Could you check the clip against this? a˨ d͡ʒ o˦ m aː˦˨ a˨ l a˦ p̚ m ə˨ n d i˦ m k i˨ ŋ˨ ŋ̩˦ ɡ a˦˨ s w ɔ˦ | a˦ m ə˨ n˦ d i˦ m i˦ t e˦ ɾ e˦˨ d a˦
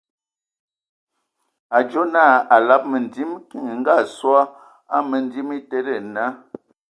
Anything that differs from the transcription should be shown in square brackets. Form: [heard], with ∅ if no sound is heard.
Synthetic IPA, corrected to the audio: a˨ d͡ʒ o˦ [n] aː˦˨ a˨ l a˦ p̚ m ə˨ n d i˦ m k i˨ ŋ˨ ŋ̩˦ ɡ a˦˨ s w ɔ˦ | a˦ m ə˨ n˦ d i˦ m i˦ t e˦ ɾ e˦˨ [n] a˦